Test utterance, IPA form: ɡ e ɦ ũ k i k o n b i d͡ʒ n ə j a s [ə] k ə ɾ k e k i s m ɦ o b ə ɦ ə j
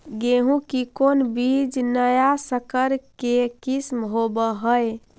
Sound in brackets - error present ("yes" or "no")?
no